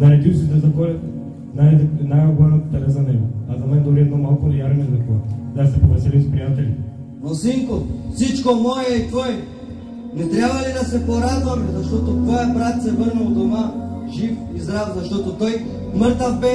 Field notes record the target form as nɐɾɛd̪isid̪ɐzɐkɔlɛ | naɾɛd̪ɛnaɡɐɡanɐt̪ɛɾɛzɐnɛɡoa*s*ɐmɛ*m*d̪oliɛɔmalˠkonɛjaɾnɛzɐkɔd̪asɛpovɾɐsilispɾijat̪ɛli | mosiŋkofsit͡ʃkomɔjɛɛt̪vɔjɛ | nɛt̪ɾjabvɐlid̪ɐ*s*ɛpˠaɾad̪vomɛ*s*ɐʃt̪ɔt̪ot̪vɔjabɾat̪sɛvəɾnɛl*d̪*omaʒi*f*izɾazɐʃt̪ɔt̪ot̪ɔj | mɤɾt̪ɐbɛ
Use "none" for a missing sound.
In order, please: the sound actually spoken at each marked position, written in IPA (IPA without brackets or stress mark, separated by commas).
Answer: z, n, s, z, d̪, f